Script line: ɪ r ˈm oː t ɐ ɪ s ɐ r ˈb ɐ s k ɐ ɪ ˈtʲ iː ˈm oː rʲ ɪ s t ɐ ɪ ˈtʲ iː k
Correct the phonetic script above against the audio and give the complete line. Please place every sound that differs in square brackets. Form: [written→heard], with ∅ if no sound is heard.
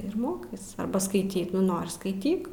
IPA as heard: ɪ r ˈm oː [t→k] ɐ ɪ s ɐ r ˈb ɐ s k ɐ ɪ ˈtʲ iː [ˈm→ˈn] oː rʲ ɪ s [t→k] ɐ ɪ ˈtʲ iː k